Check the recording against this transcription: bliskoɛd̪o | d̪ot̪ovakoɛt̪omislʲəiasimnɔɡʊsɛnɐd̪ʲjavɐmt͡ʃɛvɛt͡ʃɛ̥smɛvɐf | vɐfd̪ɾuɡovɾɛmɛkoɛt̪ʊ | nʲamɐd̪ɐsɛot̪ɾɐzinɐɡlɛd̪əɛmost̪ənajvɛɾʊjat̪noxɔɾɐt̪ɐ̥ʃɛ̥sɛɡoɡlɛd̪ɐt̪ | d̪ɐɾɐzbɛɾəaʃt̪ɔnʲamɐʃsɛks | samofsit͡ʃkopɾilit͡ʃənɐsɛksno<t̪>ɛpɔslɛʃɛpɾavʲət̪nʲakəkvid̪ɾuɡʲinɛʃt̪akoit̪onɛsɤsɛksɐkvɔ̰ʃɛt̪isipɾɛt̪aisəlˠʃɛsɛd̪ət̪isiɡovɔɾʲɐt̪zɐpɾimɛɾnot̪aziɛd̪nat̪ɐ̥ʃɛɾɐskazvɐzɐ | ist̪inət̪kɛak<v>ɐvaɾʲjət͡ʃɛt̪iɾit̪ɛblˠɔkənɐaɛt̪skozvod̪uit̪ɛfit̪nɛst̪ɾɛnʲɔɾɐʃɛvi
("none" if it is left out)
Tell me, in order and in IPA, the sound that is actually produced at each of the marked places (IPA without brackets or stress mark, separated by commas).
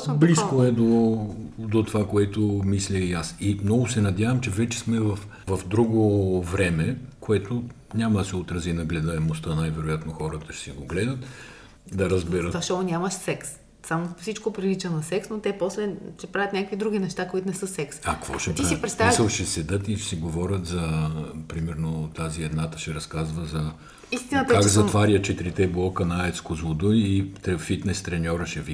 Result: t̪, z